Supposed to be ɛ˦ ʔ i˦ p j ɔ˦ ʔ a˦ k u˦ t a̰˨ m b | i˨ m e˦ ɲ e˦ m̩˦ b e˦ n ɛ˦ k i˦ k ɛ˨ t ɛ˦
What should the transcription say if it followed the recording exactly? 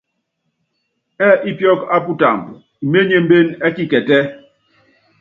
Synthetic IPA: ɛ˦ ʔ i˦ p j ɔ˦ k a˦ p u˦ t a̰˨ m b | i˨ m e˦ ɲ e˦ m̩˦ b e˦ n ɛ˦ k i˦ k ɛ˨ t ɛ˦